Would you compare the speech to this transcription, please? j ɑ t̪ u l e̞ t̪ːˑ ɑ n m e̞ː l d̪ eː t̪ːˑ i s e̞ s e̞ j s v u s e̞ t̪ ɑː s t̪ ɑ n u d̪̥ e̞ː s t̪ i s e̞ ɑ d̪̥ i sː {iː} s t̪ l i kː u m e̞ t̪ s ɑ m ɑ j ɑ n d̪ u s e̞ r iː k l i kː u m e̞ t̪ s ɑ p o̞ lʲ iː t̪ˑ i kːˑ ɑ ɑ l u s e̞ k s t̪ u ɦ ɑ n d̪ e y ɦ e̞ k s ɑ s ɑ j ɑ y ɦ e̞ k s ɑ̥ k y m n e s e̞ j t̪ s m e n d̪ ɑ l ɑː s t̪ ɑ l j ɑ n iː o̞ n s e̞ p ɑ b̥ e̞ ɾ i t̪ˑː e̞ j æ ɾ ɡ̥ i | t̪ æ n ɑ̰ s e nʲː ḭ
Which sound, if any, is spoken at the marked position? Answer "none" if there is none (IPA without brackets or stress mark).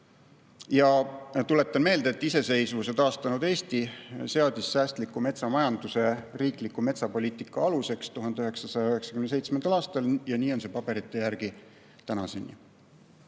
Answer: æː